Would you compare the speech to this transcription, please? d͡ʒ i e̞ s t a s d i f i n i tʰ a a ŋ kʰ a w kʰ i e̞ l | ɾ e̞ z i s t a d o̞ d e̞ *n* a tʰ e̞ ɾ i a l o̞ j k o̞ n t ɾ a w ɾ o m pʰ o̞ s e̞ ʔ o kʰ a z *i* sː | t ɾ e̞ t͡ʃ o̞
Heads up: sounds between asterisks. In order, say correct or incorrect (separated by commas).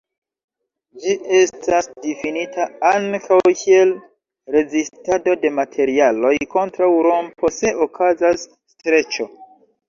incorrect, incorrect